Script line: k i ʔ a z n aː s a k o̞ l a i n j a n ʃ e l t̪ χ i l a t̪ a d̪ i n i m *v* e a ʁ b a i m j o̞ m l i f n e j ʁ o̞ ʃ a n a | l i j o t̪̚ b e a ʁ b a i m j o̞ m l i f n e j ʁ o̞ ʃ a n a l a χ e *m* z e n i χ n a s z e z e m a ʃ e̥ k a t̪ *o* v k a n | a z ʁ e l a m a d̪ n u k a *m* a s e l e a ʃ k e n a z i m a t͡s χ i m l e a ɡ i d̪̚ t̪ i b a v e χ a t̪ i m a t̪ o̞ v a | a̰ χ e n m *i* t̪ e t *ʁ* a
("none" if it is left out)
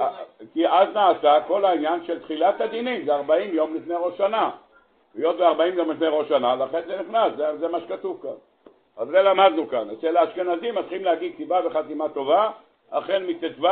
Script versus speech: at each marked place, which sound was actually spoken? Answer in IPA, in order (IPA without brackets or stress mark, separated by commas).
z, n, u, n, i, v